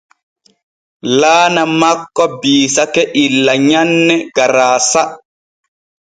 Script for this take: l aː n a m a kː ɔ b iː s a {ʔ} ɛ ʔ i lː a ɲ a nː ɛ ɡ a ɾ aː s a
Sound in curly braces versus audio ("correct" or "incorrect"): incorrect